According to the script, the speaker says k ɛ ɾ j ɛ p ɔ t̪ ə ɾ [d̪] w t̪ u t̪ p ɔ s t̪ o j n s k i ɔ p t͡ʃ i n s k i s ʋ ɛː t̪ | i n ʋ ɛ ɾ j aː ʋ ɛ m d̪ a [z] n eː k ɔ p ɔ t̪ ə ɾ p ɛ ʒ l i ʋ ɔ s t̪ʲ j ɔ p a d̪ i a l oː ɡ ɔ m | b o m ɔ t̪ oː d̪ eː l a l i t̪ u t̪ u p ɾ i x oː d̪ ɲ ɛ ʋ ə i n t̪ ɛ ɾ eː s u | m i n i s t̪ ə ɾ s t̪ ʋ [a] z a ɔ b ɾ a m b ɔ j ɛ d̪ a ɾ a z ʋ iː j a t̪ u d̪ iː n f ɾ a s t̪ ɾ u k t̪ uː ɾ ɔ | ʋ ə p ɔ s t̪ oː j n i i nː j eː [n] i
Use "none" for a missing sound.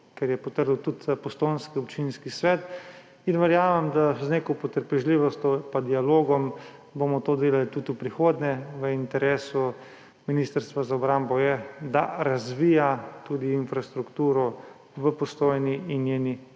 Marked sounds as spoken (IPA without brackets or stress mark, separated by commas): d̪, z, a, n